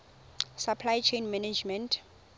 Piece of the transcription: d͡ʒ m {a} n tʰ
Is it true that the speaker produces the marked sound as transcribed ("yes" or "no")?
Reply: no